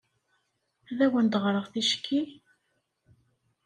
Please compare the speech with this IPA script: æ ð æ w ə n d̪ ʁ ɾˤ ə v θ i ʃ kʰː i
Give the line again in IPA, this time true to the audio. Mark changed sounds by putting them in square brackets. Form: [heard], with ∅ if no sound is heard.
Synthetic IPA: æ ð æ w ə n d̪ ʁ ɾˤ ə [ʁ] θ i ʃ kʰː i